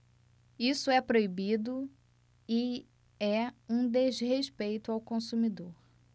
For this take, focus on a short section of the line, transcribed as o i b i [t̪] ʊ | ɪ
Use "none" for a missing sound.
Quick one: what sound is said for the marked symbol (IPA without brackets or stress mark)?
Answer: d̪